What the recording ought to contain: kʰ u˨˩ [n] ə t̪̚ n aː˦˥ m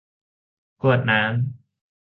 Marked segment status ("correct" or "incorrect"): incorrect